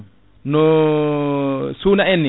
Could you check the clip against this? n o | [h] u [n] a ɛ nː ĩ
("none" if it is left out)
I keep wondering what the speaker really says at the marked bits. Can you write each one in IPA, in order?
s, n

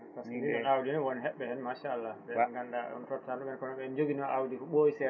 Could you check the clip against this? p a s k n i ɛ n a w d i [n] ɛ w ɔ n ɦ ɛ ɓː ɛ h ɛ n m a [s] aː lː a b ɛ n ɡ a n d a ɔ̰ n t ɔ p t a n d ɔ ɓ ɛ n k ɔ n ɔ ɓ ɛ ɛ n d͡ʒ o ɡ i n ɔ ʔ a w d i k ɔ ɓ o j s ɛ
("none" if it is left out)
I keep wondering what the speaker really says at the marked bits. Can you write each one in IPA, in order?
n, ʃ

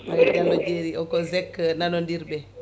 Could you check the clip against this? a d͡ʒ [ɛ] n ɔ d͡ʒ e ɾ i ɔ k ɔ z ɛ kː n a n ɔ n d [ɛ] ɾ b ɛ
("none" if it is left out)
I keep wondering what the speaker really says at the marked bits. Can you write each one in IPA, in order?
a, i

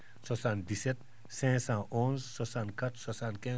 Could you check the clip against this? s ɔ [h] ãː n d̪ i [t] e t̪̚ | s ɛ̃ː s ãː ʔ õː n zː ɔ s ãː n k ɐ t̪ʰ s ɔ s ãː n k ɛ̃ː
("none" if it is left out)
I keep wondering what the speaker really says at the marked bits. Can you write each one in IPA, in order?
s, s

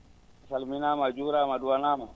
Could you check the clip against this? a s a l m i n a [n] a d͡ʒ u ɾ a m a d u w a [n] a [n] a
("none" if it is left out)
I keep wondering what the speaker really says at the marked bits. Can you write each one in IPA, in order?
m, n, m

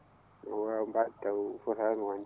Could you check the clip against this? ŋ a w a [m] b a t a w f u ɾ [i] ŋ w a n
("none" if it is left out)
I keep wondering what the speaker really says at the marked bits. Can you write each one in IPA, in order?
m, a

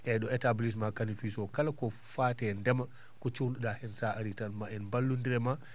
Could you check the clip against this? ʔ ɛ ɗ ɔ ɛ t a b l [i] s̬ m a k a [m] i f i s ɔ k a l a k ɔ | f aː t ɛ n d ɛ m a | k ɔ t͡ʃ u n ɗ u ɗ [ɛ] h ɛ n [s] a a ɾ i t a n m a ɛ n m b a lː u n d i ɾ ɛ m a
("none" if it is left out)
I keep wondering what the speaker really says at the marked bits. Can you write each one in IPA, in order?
i, n, a, s

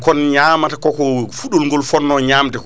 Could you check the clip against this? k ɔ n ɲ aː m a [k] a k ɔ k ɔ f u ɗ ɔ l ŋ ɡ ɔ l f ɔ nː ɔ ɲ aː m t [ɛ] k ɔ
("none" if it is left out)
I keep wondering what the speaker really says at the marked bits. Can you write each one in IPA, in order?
t, ɛ

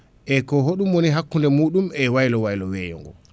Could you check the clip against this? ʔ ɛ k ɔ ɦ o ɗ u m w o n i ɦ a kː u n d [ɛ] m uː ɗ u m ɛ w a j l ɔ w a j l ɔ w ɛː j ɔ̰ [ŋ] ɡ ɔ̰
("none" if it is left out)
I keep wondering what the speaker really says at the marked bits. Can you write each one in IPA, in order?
ɛ, ŋ

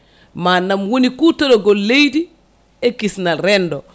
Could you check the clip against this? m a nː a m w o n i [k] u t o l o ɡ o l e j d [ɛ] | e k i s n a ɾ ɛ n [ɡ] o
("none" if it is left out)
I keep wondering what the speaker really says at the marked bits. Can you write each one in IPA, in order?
k, i, d

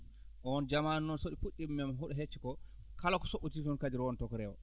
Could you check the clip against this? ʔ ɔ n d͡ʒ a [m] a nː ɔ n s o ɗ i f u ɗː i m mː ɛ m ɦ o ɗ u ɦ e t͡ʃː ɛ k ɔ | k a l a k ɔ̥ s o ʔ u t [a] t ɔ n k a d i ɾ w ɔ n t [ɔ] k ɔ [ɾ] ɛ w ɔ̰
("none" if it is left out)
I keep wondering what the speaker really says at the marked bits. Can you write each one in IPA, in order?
m, i, ɔ, ɾ

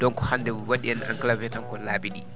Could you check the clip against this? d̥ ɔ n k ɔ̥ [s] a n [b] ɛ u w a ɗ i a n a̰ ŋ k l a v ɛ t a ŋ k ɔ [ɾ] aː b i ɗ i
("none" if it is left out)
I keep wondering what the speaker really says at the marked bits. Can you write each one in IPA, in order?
h, d, l

